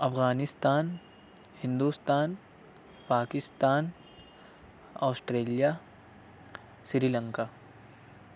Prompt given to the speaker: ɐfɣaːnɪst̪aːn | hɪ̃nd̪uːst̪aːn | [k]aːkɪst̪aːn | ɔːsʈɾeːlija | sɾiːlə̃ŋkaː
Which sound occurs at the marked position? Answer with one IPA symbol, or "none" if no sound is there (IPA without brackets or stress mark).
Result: p